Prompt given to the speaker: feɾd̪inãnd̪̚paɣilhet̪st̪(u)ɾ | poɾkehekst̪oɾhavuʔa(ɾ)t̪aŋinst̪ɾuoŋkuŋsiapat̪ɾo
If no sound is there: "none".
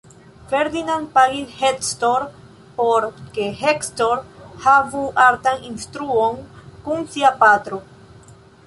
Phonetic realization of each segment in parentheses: o, ɾ

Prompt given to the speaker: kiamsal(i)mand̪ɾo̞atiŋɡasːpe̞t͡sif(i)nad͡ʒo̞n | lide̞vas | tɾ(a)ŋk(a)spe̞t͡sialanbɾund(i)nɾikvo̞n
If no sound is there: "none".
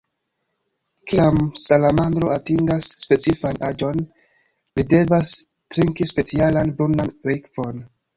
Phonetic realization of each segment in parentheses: a, a, i, i, a

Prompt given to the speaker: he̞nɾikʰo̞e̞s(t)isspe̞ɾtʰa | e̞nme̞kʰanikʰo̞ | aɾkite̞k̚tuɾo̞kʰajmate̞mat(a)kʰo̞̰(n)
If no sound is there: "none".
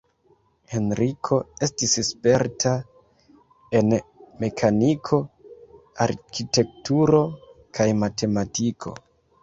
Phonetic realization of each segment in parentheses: t, i, none

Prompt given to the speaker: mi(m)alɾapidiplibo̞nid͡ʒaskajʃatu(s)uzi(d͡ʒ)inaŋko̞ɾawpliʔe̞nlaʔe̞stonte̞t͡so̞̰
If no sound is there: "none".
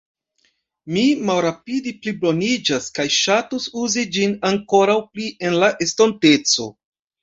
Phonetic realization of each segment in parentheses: m, s, d͡ʒ

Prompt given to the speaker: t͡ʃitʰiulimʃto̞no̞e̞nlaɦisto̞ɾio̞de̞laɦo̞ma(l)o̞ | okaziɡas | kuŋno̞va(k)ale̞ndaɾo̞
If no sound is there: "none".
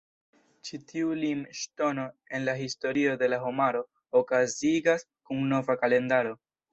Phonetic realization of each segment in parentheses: ɾ, k

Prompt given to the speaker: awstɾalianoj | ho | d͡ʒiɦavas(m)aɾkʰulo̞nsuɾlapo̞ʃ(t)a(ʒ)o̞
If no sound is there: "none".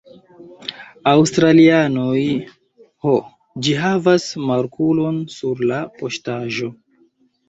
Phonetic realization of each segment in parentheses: m, t, ʒ

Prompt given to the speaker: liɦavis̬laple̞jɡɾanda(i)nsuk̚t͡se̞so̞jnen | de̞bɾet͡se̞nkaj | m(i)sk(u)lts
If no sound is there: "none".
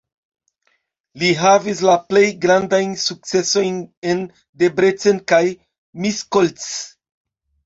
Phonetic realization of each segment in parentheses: j, i, o

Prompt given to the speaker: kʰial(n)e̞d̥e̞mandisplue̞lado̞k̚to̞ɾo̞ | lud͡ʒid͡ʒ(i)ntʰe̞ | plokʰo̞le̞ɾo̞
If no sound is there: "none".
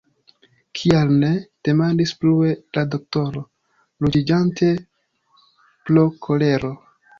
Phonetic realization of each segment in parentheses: n, a

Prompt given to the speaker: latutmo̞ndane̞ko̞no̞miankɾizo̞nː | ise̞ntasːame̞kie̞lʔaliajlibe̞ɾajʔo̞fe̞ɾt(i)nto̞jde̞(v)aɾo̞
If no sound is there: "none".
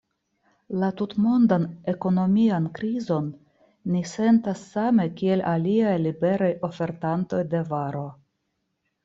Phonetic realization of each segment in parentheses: a, v

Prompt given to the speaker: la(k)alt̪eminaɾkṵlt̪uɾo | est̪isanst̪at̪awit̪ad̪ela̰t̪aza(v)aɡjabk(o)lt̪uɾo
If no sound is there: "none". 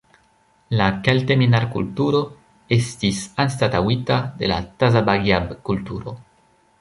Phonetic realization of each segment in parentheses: k, b, u

